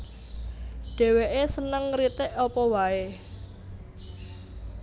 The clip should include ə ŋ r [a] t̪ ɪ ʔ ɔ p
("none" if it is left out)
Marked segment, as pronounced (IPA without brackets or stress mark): i